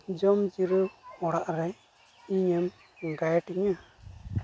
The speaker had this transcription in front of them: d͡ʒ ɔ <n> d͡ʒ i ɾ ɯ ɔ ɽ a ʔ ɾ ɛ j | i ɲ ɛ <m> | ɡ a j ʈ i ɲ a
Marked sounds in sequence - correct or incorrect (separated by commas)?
incorrect, correct